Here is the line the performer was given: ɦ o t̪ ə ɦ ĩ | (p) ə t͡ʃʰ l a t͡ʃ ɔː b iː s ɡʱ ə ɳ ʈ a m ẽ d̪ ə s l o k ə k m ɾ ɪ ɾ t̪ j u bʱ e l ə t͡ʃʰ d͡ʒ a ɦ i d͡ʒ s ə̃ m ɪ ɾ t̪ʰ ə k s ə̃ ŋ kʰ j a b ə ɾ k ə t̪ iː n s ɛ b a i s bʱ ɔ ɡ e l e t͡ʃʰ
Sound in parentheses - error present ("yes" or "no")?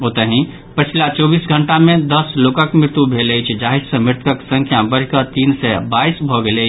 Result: no